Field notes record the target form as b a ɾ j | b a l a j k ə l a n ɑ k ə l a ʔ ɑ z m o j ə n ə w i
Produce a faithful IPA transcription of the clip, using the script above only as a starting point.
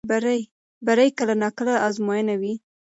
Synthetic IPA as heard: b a ɾ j | b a ɾ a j k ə l a n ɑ k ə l a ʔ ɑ z m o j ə n a w i